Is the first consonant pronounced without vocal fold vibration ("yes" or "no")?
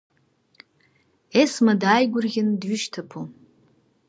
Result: yes